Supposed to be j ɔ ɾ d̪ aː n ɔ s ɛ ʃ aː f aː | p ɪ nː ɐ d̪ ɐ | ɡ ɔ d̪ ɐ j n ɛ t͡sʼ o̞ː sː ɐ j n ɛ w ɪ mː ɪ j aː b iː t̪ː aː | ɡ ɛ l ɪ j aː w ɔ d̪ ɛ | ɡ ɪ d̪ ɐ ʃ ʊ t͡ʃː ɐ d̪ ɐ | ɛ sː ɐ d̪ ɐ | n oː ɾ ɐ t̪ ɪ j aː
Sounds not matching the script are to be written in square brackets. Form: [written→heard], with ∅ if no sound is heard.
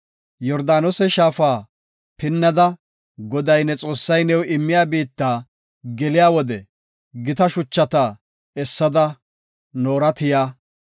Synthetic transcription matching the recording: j ɔ ɾ d̪ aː n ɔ s ɛ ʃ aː f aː | p ɪ nː ɐ d̪ ɐ | ɡ ɔ d̪ ɐ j n ɛ t͡sʼ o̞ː sː ɐ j n ɛ w ɪ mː ɪ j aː b iː t̪ː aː | ɡ ɛ l ɪ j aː w ɔ d̪ ɛ | ɡ ɪ [d̪→t̪] ɐ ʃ ʊ t͡ʃː ɐ [d̪→t̪] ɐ | ɛ sː ɐ d̪ ɐ | n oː ɾ ɐ t̪ ɪ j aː